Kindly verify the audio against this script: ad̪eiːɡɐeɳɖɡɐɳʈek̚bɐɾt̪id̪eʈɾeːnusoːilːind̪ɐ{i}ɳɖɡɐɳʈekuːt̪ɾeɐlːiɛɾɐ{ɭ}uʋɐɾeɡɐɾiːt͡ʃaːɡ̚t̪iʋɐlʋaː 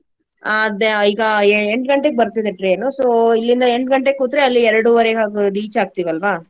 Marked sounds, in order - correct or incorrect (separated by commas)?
incorrect, incorrect